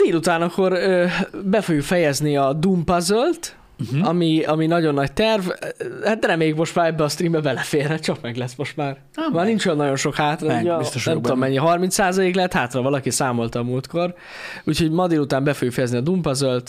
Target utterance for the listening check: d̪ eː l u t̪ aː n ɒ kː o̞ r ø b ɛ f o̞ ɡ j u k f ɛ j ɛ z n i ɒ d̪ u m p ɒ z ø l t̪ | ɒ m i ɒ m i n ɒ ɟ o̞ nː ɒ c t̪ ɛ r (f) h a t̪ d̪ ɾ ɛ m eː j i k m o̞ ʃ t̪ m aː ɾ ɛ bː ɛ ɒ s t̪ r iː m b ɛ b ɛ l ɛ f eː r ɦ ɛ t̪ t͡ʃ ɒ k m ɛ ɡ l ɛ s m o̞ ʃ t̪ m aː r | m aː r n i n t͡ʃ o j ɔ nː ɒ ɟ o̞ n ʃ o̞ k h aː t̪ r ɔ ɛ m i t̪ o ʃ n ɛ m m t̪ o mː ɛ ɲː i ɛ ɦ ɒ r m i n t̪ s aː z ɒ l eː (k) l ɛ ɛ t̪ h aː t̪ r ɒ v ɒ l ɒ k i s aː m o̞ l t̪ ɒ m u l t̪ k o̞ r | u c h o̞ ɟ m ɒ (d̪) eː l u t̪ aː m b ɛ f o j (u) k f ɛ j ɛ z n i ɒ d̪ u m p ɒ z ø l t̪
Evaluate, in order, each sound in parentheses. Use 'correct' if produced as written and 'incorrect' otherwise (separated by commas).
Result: incorrect, correct, correct, correct